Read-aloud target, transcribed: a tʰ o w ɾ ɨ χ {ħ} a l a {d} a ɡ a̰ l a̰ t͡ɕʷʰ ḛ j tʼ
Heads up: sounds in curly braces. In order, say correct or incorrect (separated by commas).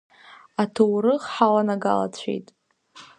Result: correct, incorrect